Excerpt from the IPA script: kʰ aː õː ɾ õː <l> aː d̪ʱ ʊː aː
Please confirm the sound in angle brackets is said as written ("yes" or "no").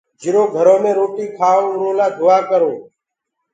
yes